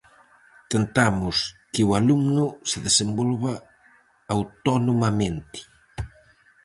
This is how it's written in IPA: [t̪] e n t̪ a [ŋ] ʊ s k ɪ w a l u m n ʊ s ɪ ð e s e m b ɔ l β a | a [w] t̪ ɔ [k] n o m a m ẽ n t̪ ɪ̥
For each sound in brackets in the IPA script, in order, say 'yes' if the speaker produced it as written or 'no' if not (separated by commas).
yes, no, yes, no